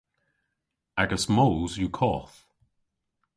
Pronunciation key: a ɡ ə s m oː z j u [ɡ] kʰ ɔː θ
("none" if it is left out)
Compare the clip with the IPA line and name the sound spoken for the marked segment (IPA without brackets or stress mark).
none